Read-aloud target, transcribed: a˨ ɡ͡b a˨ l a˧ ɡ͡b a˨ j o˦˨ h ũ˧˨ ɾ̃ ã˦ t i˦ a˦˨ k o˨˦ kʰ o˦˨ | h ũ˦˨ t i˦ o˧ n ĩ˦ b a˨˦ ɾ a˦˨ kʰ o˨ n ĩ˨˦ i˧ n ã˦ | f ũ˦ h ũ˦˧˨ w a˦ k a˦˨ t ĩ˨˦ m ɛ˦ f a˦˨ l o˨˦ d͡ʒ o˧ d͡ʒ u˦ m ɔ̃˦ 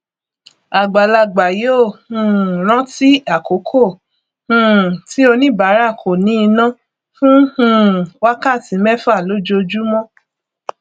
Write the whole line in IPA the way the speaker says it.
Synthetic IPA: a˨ ɡ͡b a˨ l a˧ ɡ͡b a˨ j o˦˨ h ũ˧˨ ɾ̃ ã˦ t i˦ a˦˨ k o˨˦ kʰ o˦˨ | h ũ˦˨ t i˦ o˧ n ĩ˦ b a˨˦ ɾ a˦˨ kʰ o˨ n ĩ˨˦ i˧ n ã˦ | f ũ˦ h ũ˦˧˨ w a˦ k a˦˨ t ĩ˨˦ m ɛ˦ f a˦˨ l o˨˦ d͡ʒ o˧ d͡ʒ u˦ m ɔ̃˦